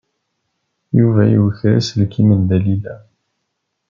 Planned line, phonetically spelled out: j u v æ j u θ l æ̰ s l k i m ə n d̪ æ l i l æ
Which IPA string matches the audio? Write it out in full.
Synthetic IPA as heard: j u v æ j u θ ɾ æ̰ s l k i m ə n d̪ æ l i l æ